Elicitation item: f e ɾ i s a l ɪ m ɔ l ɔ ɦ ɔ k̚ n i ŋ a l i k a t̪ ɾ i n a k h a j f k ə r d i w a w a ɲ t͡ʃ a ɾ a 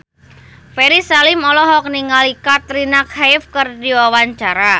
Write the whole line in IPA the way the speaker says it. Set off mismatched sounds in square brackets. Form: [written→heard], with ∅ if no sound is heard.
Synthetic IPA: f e ɾ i s a l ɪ m ɔ l ɔ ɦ ɔ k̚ n i ŋ a l i k a t̪ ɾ i n a k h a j f k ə r d i w a w a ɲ t͡ʃ a ɾ a